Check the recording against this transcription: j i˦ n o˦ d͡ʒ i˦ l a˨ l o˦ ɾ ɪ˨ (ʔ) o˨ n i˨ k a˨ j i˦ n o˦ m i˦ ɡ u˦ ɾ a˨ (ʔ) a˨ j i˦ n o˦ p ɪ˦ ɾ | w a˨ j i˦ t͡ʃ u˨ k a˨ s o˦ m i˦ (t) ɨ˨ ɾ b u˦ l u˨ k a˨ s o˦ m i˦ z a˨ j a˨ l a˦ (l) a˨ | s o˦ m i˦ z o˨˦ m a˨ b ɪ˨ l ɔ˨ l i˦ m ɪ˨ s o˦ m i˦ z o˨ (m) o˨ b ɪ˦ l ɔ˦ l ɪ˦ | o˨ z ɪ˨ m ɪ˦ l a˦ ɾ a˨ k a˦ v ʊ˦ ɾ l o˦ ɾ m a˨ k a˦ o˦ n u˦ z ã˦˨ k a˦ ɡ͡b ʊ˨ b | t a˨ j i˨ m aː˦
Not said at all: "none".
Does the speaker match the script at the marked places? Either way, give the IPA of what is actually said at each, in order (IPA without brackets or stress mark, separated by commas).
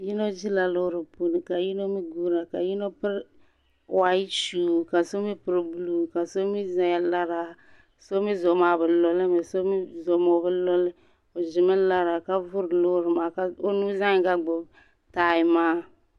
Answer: p, k, p, ɾ, m